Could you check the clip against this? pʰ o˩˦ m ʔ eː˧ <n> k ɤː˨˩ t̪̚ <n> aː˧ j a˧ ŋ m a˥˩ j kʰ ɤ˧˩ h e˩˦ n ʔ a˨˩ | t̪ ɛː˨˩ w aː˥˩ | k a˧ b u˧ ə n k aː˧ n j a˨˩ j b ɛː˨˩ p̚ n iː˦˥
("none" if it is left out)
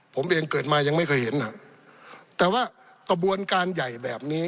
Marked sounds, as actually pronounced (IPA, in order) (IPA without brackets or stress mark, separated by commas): ŋ, m